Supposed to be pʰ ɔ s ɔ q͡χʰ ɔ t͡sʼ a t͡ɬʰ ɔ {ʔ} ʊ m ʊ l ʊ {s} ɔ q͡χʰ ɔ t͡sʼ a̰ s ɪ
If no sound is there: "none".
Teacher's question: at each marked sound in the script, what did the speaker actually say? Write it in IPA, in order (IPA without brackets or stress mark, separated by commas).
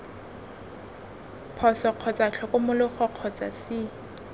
k, χ